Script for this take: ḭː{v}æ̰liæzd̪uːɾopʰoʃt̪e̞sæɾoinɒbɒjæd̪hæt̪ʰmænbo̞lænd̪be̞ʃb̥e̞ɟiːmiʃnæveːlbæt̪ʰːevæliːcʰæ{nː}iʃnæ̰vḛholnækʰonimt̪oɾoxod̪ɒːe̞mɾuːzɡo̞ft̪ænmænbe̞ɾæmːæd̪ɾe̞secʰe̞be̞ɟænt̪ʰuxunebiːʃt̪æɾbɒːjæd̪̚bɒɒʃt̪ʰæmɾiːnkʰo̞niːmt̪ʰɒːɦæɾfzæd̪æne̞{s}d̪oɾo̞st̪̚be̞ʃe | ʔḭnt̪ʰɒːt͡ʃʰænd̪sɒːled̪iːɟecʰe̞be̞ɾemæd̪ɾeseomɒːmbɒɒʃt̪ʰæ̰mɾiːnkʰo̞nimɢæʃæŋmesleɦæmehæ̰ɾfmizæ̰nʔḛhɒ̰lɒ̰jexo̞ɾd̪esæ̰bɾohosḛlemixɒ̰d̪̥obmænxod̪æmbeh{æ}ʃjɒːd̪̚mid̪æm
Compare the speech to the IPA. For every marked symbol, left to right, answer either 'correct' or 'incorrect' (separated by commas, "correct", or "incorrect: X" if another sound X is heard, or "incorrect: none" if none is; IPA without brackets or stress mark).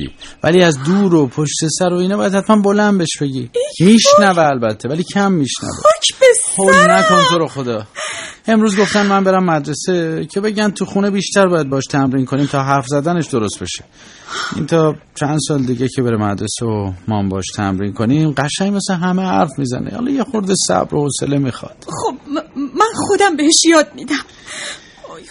correct, incorrect: mː, incorrect: ʃ, incorrect: e